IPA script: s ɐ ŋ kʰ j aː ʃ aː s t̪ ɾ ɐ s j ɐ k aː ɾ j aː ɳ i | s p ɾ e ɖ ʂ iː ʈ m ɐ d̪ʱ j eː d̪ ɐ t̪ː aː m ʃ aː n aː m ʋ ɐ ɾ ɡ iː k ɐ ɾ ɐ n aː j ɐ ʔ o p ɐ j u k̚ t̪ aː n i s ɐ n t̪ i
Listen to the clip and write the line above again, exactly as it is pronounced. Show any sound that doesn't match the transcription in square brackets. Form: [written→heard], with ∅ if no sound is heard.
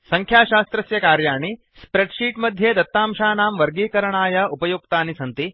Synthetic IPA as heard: s ɐ ŋ kʰ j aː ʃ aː s t̪ ɾ ɐ s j ɐ k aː ɾ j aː ɳ i | s p ɾ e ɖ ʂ iː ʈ m ɐ d̪ʱ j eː d̪ ɐ t̪ː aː m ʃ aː n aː m ʋ ɐ ɾ ɡ iː k ɐ ɾ ɐ [n→ɳ] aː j ɐ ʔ [o→u] p ɐ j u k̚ t̪ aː n i s ɐ n t̪ i